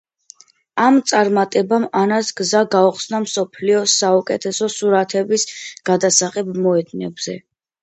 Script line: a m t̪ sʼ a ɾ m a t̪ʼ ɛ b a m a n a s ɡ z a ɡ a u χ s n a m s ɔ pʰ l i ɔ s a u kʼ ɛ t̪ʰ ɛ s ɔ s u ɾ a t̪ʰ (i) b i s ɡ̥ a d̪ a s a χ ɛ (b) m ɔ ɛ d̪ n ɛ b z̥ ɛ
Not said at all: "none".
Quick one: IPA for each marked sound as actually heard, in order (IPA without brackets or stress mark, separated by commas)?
ɛ, b